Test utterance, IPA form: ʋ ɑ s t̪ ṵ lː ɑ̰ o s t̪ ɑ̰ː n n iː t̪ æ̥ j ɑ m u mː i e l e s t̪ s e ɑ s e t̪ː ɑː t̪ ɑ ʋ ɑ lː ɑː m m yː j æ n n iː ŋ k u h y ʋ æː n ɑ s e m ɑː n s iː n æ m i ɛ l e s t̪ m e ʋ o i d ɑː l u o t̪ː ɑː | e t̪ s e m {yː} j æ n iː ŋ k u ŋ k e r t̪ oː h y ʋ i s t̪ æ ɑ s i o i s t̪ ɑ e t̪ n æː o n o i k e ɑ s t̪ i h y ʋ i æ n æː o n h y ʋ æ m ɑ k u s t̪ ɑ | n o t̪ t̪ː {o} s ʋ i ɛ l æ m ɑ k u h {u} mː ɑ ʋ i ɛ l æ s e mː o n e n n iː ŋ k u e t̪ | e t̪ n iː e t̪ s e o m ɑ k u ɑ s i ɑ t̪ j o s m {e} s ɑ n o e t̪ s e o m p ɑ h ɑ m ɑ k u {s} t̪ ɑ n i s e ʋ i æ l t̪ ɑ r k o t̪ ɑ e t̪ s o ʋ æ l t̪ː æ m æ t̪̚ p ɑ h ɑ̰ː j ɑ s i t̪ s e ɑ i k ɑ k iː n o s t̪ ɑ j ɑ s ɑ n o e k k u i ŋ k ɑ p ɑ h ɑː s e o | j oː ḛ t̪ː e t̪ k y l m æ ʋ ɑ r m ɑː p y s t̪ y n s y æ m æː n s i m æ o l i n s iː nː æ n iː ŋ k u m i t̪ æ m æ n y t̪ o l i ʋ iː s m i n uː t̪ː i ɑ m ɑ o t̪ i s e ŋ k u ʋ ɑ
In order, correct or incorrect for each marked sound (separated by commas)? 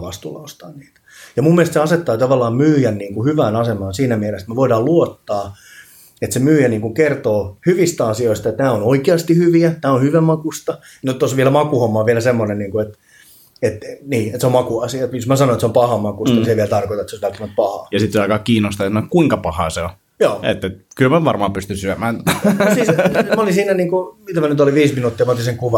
correct, correct, incorrect, incorrect, correct